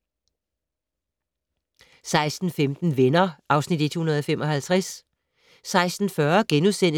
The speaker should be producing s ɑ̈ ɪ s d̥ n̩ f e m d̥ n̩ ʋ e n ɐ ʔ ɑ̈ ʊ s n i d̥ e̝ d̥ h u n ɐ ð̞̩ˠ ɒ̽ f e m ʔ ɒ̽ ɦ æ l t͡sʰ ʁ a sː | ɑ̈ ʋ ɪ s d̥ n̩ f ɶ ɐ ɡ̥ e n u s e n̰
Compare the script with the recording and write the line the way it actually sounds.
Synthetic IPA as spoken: s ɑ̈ ɪ s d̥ n̩ f e m d̥ n̩ ʋ e n ɐ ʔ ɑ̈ ʊ s n i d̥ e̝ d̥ h u n ɐ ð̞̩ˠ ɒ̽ f e m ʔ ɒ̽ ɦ æ l t͡sʰ ʁ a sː | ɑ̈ ɪ s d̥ n̩ f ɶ ɐ ɡ̥ e n u s e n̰